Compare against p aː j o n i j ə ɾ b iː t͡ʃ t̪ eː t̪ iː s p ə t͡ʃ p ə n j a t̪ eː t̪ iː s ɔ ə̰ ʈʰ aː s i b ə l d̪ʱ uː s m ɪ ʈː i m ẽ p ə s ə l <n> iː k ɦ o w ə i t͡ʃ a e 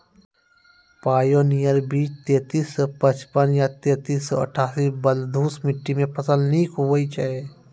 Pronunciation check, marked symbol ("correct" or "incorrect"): correct